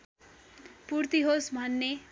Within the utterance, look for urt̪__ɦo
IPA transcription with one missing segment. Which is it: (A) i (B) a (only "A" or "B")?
A